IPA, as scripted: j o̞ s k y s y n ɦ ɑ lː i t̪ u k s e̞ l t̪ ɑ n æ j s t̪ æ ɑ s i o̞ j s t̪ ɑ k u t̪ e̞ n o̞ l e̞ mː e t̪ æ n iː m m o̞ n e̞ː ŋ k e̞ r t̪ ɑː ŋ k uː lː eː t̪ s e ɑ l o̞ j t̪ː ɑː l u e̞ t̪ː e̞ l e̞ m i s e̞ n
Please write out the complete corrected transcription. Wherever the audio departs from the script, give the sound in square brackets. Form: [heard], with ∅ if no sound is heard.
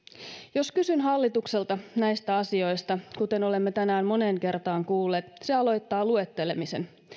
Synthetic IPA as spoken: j o̞ s k y s y n ɦ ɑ lː i t̪ u k s e̞ l t̪ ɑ n æ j s t̪ æ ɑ s i o̞ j s t̪ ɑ k u t̪ e̞ n o̞ l e̞ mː e t̪ æ n [æː] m m o̞ n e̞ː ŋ k e̞ r t̪ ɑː ŋ k uː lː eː t̪ s e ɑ l o̞ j t̪ː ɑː l u e̞ t̪ː e̞ l e̞ m i s e̞ n